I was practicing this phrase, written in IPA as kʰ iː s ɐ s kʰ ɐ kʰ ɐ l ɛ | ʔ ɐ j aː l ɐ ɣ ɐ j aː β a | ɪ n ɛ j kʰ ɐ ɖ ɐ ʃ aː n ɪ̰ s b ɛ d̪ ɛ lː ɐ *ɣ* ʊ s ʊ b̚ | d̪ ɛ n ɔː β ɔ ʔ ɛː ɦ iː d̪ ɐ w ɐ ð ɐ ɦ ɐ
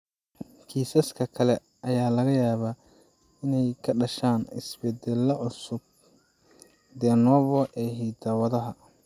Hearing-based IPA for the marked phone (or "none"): ʕ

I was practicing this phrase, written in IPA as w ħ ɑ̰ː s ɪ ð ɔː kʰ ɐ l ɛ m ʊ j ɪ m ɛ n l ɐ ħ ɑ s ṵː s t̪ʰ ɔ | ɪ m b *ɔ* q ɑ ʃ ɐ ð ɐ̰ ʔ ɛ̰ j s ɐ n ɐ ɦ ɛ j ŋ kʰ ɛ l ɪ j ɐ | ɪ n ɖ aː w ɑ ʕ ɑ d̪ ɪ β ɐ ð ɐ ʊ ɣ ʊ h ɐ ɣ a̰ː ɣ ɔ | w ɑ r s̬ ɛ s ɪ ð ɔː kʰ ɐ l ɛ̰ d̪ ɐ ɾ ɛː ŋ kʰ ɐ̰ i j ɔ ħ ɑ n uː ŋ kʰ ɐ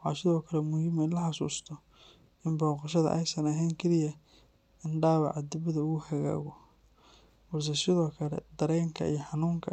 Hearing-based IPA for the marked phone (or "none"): ɔː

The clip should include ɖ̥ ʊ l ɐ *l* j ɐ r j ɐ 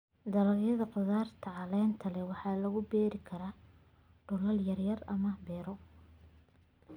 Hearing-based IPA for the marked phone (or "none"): l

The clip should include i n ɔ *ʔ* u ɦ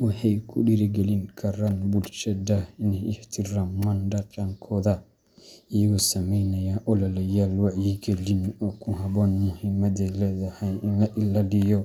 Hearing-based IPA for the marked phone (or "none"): k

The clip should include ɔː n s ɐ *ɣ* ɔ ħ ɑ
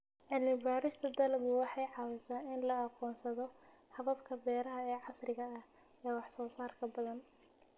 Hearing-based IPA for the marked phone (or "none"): ð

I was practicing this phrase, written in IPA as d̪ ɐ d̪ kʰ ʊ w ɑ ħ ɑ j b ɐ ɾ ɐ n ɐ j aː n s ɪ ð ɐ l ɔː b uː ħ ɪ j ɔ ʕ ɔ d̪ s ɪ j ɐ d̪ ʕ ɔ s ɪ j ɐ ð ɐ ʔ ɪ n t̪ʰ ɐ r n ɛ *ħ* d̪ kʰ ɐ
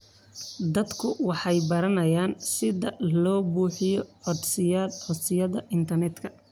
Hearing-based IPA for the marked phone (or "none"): none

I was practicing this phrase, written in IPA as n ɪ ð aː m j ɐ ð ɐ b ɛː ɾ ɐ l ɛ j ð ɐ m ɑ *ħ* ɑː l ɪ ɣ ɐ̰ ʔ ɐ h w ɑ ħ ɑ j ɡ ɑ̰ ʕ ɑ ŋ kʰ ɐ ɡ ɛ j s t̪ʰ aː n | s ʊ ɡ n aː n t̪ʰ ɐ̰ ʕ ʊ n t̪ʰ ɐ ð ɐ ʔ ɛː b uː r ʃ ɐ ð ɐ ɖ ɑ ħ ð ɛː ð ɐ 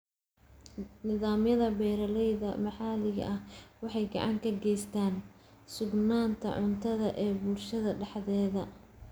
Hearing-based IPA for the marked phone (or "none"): ħ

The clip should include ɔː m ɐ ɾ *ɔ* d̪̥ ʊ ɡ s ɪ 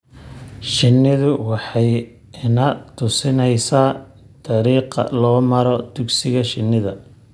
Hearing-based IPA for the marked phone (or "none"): ɔ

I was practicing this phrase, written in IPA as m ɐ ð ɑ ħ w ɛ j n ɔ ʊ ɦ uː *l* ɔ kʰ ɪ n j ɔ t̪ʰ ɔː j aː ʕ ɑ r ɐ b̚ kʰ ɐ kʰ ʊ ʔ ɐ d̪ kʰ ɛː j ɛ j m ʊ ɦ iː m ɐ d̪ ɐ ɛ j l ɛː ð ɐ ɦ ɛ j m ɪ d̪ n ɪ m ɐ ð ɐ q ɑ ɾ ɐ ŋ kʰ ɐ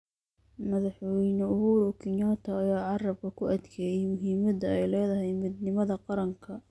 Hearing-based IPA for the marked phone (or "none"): ɾ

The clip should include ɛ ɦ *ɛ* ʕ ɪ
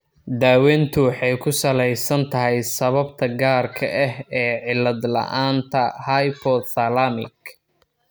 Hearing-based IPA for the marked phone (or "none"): ɛː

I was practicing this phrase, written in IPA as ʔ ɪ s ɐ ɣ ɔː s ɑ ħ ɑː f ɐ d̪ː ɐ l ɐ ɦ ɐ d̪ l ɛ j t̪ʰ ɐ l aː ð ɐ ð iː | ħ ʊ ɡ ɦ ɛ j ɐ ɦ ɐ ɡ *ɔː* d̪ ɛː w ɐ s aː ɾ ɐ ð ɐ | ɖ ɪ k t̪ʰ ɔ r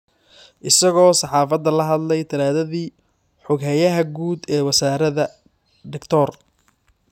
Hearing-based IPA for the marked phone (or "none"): uː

